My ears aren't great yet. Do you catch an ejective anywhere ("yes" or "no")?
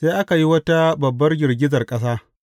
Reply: yes